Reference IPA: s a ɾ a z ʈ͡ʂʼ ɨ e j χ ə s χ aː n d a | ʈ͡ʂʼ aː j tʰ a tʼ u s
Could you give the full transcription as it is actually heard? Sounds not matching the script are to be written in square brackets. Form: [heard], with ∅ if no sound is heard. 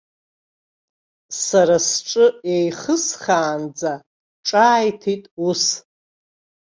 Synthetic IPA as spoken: s a ɾ a [s] ʈ͡ʂʼ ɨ e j χ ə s χ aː n [d͡z] a | ʈ͡ʂʼ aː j tʰ [i] tʼ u s